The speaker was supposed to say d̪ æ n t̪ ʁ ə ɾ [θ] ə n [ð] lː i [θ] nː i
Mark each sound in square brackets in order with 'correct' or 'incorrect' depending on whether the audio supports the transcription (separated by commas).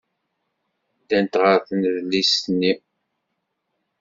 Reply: correct, correct, incorrect